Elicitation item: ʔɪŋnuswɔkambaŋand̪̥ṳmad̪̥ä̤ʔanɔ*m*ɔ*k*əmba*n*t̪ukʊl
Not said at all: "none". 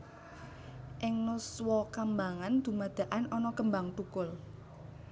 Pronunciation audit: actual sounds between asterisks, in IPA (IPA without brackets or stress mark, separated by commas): n, k, ŋ